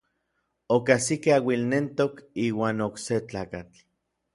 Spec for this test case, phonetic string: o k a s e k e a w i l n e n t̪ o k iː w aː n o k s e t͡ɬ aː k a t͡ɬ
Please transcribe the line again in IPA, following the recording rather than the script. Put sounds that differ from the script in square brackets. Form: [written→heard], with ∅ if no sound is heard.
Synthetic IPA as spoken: o k a s [e→i] k e a w i l n e n t̪ o k iː w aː n o k s e t͡ɬ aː k a t͡ɬ